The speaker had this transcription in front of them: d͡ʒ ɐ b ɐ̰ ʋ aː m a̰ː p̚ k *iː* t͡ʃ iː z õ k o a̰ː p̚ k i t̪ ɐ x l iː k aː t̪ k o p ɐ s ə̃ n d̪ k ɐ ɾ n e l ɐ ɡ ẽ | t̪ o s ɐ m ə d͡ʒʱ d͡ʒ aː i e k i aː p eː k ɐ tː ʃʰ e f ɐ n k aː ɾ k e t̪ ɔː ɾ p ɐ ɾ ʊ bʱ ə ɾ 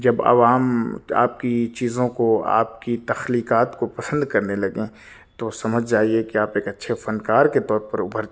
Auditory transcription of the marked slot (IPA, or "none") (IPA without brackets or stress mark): i